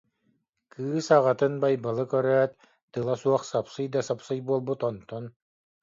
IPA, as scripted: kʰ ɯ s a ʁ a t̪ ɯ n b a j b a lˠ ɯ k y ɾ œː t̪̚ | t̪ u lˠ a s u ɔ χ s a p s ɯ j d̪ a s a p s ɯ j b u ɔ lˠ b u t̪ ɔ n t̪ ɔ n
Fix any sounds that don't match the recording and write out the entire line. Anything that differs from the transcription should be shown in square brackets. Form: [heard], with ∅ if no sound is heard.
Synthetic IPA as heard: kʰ [ɯː] s a ʁ a t̪ ɯ n b a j b a lˠ ɯ k [œ] ɾ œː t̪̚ | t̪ [ɯ] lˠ a s u ɔ χ s a p s ɯ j d̪ a s a p s ɯ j b u ɔ lˠ b u t̪ ɔ n t̪ ɔ n